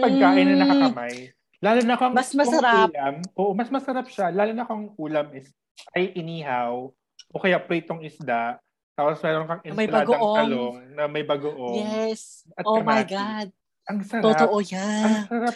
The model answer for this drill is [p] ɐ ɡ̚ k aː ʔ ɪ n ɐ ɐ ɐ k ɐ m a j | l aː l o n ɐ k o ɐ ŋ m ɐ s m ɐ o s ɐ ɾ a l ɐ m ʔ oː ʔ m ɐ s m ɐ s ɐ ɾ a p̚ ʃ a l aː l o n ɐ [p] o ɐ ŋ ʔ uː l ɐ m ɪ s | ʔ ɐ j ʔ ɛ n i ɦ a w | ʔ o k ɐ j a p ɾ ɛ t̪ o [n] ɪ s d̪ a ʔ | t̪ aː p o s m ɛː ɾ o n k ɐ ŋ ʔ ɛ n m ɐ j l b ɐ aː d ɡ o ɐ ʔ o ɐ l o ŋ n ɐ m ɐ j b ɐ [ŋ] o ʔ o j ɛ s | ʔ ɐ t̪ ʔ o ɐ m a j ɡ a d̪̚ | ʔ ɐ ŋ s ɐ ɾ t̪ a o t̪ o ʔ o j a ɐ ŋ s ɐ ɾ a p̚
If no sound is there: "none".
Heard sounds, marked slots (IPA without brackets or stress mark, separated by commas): p, k, ŋ, ɡ